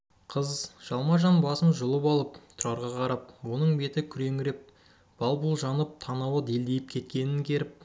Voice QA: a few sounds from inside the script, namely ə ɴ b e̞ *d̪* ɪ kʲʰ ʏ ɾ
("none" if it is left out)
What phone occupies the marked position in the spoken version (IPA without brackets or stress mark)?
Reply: t̪